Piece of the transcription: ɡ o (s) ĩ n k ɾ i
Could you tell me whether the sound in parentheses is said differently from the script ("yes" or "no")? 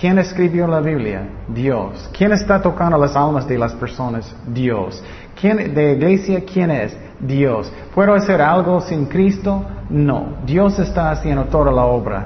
no